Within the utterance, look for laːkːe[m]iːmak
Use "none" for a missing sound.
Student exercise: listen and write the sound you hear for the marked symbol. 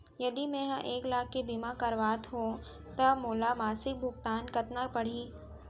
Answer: b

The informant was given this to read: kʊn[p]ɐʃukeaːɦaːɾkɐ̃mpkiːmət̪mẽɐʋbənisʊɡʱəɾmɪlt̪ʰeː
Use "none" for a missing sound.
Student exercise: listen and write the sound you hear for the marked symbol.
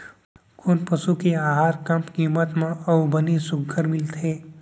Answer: p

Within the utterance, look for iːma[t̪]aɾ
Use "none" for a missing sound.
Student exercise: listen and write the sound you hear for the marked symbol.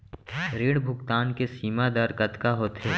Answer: d̪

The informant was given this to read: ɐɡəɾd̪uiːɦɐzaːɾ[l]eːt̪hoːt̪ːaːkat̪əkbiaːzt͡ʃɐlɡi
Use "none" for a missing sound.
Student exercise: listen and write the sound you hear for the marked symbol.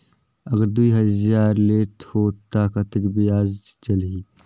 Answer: l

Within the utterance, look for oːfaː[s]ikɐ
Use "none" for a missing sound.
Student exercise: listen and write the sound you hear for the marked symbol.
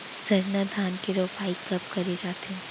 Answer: none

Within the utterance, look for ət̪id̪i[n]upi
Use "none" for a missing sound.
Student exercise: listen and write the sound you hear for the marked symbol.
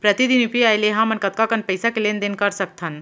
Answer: n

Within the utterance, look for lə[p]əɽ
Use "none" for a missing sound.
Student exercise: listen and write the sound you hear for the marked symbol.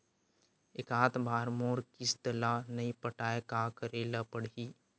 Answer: p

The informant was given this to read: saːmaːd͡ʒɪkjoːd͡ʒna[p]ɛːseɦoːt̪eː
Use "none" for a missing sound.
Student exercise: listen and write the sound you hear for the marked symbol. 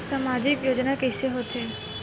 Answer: k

